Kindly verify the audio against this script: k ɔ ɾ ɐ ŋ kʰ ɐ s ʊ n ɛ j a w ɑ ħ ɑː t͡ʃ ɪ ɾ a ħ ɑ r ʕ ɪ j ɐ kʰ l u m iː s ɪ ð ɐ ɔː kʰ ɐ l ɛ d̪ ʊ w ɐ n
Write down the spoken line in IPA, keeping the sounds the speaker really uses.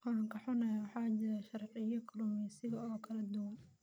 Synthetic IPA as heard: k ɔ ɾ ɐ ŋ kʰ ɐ ħ ʊ n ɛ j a w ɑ ħ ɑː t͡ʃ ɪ ɾ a ʃ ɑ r ʕ ɪ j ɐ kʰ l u m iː s ɪ ɣ ɐ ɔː kʰ ɐ l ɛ d̪ ʊ w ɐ n